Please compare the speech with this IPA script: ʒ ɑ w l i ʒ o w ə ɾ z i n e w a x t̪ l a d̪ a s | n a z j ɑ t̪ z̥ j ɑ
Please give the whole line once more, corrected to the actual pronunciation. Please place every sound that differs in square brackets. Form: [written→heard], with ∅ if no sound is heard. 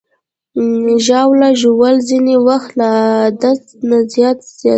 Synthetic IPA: ʒ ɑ w l [i→a] ʒ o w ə [ɾ→l] z i n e w a x t̪ l a d̪ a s | n a z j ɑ t̪ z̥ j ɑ

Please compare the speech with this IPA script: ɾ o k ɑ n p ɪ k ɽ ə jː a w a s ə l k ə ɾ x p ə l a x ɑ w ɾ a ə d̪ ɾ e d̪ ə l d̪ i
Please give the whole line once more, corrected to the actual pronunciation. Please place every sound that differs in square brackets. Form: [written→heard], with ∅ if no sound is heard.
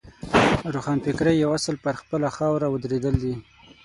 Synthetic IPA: ɾ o [k→x] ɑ n p ɪ k [ɽ→ɾ] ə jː a w a s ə l [k→p] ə ɾ x p ə l a x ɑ w ɾ a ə d̪ ɾ e d̪ ə l d̪ i

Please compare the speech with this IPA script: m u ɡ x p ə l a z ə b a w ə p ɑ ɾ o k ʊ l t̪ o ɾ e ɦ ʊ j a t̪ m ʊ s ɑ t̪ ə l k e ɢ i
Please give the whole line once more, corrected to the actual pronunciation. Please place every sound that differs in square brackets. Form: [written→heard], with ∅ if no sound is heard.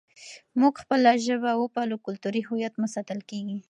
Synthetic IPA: m u ɡ x p ə l a [z→ʒ] ə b a w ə p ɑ [ɾ→l] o k ʊ l t̪ [o→u] ɾ [e→i] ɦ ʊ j a t̪ m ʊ s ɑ t̪ ə l k e [ɢ→ɡ] i

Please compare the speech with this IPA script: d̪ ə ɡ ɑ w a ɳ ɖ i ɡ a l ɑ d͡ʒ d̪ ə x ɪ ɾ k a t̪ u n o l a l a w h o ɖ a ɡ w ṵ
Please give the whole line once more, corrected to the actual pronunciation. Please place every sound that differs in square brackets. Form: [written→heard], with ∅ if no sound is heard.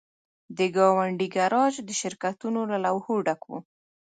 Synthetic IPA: d̪ ə ɡ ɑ w a ɳ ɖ i ɡ a [l→ɾ] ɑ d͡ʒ d̪ ə [x→ʃ] ɪ ɾ k a t̪ u n o l a l a w h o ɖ a [ɡ→k] w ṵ

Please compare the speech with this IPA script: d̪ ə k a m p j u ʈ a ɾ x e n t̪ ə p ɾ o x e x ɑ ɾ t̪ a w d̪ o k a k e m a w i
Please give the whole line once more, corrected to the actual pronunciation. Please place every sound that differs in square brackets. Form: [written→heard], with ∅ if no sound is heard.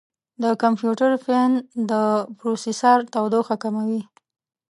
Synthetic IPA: d̪ ə k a m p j u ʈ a ɾ [x→f] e n [t̪→d̪] ə p ɾ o [x→s] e [x→s] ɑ ɾ t̪ a w d̪ o [k→x] a k [e→a] m a w i

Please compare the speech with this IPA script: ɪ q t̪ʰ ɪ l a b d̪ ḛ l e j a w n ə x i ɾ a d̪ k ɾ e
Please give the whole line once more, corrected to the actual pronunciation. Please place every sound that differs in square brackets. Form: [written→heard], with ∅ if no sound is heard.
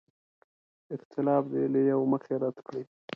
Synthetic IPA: ɪ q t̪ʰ ɪ l [a→ɑ] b d̪ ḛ l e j a w [n→m] ə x [i→e] ɾ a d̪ k [ɾ→ɽ] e

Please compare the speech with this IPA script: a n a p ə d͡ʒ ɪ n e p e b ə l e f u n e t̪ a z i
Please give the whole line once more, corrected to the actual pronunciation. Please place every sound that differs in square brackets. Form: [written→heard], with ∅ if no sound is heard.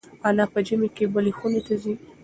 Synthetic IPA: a n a p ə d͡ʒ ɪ [n→m] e [p→k] e b ə l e [f→x] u n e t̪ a z i

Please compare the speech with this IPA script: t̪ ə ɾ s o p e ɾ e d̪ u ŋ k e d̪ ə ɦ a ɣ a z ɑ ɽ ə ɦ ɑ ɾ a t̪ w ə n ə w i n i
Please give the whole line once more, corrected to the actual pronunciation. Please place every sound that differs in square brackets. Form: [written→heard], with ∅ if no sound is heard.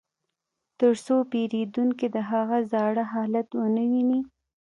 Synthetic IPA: t̪ ə ɾ s o p e ɾ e d̪ u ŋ k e d̪ ə ɦ a ɣ a z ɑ ɽ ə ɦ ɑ [ɾ→l] a t̪ w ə n ə w i n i

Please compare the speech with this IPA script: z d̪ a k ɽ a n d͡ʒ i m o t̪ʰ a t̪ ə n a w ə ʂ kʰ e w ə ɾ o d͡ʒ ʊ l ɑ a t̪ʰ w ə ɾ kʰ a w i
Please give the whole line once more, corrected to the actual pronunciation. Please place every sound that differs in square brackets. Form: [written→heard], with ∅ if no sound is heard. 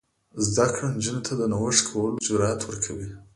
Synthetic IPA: z d̪ a k ɽ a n d͡ʒ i [m→n] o t̪ʰ a [t̪→d̪] ə n a w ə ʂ kʰ [e→a] w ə [ɾ→l] o d͡ʒ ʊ [l→ɾ] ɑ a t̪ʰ w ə ɾ kʰ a w i

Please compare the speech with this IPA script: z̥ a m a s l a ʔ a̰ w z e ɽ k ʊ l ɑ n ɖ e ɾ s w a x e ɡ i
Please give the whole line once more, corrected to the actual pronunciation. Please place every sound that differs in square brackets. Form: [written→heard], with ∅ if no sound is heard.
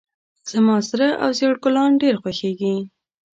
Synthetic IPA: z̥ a m [a→ɑ] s [l→ɾ] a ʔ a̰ w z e ɽ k ʊ l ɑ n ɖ e ɾ [s→x] w a x e ɡ i

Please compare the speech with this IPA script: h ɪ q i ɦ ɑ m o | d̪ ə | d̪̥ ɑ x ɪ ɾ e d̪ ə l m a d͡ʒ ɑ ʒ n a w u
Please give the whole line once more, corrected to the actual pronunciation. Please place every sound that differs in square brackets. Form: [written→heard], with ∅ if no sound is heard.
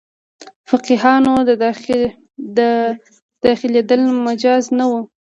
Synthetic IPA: [h→f] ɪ q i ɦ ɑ [m→n] o | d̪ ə | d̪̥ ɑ x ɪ [ɾ→l] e d̪ ə l m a d͡ʒ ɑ [ʒ→z] n a w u

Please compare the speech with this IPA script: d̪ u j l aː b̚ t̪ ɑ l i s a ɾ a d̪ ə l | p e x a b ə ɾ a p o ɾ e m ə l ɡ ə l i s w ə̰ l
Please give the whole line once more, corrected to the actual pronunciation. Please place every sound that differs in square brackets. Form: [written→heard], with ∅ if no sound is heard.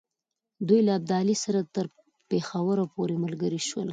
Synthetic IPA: d̪ u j l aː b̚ [t̪→d̪] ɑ l i s a ɾ a [d̪→t̪] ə [l→ɾ] | p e x a [b→w] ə ɾ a p o ɾ e m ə l ɡ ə [l→ɾ] i [s→ʃ] w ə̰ l

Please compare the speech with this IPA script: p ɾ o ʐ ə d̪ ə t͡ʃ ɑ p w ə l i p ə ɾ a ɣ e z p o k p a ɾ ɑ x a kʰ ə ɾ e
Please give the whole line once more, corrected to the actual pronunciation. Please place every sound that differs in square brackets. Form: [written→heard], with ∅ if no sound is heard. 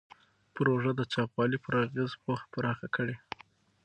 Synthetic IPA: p ɾ o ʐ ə d̪ ə t͡ʃ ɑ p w [ə→ɑ] l i p ə ɾ a ɣ e z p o [k→x] p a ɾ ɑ x a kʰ ə [ɾ→ɽ] e

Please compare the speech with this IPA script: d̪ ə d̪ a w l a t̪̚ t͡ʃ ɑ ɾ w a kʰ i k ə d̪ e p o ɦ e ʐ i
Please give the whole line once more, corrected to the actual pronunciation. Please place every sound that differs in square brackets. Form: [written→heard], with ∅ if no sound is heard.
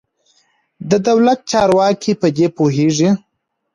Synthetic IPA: d̪ ə d̪ a w l a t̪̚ t͡ʃ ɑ ɾ w [a→ɑ] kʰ i [k→p] ə d̪ e p o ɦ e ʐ i

